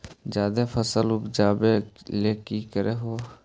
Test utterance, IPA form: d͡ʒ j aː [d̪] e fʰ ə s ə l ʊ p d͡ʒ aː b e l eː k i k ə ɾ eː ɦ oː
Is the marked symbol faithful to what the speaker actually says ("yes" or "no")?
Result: yes